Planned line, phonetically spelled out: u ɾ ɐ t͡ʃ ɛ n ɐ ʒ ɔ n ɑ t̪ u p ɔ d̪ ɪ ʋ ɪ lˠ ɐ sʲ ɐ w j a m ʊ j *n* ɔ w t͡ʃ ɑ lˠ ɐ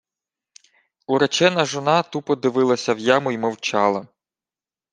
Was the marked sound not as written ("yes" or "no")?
yes